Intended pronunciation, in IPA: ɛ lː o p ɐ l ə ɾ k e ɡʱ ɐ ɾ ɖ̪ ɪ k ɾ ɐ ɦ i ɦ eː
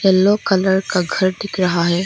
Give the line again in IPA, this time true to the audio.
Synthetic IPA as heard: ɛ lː o k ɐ l ə ɾ k a ɡʱ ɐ ɾ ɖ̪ ɪ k ɾ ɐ ɦ a ɦ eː